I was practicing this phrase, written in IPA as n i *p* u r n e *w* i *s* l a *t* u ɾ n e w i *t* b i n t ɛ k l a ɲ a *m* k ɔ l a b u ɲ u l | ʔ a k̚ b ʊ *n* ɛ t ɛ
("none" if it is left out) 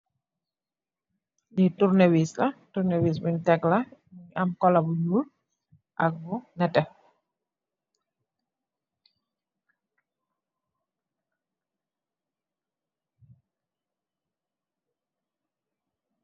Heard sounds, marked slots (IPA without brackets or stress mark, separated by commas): t, w, s, t, s, m, n